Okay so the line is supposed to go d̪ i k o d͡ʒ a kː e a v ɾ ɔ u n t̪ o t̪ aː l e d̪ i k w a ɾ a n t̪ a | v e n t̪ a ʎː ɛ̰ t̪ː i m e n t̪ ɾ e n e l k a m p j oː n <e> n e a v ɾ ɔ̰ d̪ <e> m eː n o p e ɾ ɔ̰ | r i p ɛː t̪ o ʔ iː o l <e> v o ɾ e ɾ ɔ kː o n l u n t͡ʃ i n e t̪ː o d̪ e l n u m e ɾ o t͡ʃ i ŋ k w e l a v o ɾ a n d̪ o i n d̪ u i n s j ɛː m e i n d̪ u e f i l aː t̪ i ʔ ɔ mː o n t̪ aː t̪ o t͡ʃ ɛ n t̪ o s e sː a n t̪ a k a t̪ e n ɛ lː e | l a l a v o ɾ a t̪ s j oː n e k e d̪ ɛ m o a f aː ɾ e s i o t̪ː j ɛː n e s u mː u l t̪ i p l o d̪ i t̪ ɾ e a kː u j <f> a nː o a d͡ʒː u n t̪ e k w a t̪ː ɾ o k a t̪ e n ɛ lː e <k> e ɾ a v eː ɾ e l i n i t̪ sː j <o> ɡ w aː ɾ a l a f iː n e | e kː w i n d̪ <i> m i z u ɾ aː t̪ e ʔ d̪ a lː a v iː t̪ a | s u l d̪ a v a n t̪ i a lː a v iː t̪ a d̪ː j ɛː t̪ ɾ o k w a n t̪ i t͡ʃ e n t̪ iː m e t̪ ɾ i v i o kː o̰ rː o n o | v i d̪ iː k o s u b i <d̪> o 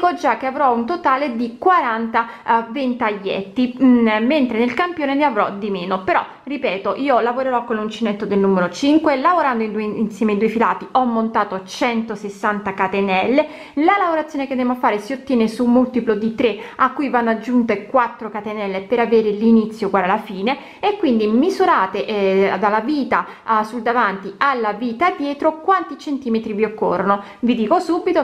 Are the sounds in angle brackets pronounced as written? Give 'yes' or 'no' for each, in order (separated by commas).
yes, no, no, no, no, yes, yes, no